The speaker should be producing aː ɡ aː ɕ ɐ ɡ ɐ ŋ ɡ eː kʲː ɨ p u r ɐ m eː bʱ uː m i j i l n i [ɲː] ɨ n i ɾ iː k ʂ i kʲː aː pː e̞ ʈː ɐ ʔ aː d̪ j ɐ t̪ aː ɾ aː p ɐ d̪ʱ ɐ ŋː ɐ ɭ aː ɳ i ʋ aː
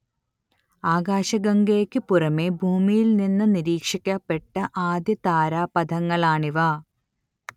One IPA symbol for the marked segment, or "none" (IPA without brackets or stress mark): nː